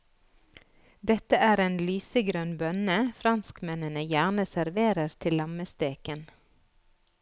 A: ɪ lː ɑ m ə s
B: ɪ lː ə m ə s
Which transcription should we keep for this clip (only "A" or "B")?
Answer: A